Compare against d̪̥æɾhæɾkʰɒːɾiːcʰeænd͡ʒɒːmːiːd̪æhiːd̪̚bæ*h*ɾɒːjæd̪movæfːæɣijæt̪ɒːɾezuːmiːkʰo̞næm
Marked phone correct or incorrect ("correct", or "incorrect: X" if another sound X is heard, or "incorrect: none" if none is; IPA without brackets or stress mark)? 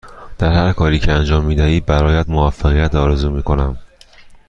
incorrect: none